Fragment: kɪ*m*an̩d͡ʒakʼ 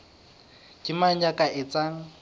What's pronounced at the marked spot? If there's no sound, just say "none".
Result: m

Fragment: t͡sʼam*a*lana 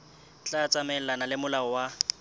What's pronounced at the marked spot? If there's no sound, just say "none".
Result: ɛ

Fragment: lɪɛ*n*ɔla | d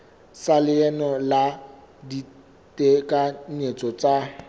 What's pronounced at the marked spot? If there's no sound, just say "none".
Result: n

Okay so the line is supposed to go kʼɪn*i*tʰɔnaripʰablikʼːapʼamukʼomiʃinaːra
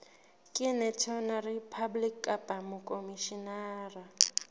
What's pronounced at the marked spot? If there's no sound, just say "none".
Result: ɛ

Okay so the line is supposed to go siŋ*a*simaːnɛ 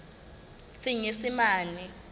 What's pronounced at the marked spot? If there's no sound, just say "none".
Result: e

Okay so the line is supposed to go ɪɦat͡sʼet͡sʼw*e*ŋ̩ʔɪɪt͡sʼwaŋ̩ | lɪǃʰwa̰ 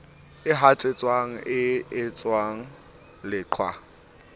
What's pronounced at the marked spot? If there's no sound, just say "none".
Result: a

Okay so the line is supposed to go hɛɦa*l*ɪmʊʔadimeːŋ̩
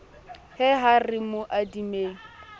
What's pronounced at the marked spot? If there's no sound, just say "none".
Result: r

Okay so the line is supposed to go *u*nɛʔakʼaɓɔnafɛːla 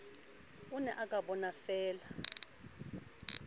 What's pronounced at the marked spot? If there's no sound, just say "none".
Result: u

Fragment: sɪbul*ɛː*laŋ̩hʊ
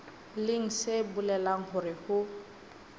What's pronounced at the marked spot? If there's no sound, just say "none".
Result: ɛ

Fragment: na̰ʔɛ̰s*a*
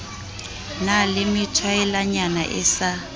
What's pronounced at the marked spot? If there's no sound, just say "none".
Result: a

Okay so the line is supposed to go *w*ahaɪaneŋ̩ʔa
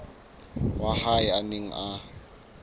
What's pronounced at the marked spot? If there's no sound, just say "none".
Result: w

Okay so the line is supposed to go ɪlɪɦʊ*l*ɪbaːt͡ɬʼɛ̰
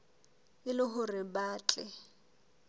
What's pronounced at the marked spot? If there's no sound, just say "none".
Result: r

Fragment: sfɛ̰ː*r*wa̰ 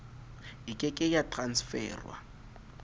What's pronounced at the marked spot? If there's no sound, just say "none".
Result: r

